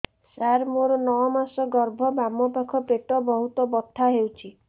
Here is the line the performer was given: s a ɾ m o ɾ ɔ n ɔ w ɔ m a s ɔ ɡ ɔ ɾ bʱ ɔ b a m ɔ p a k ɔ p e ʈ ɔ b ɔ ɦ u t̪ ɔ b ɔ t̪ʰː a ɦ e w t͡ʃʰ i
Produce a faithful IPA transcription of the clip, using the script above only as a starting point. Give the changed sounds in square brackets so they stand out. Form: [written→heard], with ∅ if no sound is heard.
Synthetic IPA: s a ɾ m o ɾ ɔ n ɔ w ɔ m a s ɔ ɡ ɔ ɾ bʱ ɔ b a m ɔ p a [k→kʰ] ɔ p e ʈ ɔ b ɔ ɦ u t̪ ɔ b ɔ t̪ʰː a ɦ e w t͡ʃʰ i